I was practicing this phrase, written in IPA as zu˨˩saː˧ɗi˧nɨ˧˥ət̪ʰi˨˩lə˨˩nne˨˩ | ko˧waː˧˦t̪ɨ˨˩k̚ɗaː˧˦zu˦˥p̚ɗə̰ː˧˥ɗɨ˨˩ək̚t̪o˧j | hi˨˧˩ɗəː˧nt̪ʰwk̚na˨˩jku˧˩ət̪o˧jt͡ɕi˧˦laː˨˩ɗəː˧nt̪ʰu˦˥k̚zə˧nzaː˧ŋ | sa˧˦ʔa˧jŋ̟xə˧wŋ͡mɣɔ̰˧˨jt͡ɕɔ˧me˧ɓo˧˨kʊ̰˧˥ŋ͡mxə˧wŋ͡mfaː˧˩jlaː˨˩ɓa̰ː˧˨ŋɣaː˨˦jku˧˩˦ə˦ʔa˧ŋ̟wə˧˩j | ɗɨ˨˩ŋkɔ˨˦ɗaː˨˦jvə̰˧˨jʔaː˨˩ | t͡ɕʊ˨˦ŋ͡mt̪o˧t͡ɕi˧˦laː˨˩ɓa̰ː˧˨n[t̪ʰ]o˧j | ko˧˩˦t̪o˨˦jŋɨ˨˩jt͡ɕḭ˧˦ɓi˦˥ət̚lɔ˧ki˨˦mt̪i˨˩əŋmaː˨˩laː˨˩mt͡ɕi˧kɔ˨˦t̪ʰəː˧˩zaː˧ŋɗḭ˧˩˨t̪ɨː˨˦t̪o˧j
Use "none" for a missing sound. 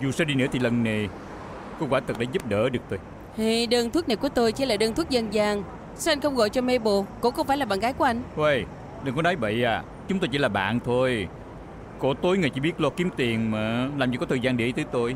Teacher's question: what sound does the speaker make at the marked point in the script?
t̪ʰ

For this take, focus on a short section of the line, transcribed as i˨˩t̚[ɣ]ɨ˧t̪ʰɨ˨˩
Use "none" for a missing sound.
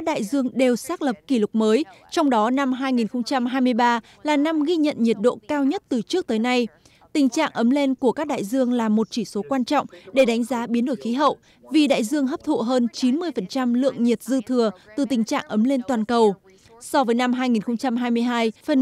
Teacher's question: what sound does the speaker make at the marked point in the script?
z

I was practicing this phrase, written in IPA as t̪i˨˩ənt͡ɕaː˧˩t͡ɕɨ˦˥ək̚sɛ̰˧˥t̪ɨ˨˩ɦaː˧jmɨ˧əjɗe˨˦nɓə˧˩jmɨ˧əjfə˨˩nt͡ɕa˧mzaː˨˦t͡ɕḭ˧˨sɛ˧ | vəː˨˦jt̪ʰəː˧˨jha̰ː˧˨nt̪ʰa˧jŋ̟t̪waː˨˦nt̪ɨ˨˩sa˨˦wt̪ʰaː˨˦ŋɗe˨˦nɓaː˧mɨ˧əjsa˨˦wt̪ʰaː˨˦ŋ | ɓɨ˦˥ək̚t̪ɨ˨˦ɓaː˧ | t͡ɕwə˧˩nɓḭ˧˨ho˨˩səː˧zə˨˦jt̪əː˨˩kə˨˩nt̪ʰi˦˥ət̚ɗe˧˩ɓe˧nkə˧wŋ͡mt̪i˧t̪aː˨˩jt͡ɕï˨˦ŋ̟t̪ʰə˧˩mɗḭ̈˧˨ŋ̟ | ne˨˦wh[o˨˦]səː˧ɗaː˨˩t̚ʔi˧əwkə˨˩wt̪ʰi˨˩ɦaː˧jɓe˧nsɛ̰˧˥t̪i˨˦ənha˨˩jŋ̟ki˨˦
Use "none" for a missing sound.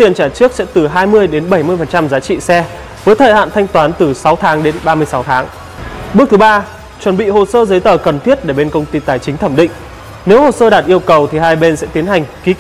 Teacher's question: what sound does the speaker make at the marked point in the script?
o˨˩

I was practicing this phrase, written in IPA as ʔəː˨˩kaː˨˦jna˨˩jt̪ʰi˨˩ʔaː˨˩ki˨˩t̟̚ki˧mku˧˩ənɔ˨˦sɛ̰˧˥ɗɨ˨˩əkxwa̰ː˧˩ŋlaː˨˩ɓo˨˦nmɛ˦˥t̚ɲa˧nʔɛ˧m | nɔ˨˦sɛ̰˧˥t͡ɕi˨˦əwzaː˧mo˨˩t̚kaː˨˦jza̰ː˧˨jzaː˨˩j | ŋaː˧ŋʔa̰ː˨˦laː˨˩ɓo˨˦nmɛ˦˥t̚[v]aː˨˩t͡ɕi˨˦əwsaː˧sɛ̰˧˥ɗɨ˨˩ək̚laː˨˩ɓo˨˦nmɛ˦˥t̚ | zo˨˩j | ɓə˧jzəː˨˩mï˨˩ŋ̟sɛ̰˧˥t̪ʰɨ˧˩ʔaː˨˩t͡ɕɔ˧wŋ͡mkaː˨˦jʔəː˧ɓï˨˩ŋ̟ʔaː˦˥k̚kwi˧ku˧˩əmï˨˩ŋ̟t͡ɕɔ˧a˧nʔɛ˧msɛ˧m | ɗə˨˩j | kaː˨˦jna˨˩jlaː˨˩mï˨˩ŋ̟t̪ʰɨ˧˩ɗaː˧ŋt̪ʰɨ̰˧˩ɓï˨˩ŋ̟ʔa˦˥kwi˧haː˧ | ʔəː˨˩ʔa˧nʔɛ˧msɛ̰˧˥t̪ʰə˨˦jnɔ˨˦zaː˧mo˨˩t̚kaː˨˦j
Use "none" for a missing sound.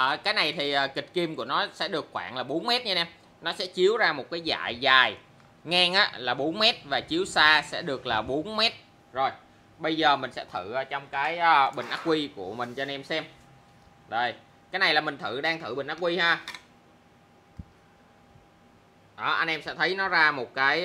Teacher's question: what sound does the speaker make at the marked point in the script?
v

